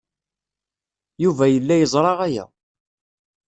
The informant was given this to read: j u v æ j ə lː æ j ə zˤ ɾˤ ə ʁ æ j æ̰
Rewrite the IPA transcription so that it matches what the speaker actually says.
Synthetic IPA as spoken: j u v æ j ə lː æ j ə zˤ ɾˤ ɑ ʁ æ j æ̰